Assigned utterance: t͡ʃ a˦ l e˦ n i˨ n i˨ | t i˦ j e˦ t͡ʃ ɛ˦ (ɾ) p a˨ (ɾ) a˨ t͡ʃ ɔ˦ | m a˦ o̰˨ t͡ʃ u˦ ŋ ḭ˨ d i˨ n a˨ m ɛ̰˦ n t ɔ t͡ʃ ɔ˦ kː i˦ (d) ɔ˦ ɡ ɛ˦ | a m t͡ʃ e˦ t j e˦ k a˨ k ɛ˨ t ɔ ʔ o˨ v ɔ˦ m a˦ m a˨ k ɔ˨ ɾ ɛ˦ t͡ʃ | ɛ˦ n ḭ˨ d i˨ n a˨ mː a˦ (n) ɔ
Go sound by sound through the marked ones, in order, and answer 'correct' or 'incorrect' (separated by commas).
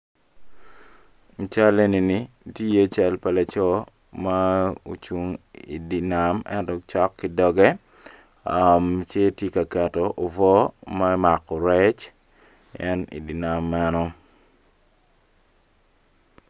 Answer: incorrect, incorrect, correct, correct